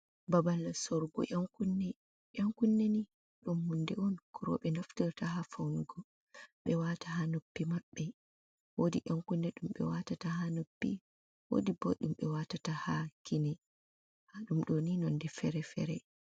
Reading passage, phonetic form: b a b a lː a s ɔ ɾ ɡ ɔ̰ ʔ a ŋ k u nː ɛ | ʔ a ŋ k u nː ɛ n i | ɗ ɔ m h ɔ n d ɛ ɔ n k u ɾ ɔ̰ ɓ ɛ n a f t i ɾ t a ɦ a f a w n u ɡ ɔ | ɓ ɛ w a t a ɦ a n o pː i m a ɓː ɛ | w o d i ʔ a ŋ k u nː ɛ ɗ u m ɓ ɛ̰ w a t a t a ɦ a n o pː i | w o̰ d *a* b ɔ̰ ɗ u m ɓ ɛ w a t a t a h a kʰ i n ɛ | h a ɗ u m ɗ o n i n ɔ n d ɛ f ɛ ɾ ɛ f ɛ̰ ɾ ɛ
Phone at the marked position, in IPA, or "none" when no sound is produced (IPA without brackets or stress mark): i